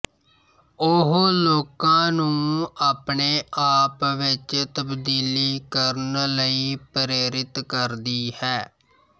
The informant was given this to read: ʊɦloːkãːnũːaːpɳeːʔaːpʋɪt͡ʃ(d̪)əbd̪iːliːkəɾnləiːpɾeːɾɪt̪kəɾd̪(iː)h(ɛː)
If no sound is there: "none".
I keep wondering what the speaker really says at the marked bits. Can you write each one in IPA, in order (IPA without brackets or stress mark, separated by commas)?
t̪, iː, ɛː